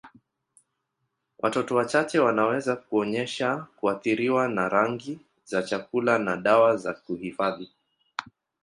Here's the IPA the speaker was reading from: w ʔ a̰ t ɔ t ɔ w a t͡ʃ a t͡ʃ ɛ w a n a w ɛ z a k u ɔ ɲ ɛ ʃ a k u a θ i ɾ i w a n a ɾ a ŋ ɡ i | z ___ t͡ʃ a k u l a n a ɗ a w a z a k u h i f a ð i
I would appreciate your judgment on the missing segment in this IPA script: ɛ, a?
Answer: a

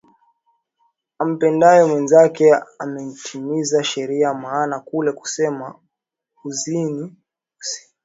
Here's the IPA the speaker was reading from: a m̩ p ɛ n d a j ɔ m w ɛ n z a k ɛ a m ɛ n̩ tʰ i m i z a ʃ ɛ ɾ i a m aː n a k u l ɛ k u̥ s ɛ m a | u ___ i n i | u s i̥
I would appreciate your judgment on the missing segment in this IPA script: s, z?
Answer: z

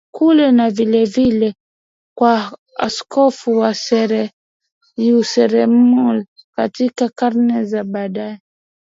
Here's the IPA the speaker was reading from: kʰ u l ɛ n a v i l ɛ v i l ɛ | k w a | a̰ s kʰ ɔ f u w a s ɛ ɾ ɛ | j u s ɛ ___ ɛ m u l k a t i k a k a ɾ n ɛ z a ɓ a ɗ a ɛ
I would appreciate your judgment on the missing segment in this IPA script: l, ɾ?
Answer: ɾ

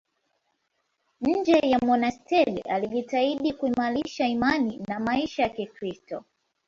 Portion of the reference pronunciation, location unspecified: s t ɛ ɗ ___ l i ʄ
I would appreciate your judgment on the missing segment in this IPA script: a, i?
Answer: a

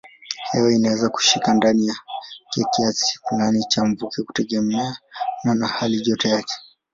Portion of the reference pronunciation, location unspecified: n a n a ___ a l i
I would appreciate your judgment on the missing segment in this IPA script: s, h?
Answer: h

